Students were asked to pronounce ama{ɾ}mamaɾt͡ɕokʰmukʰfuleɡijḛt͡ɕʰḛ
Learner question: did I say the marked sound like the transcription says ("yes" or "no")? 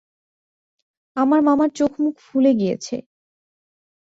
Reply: yes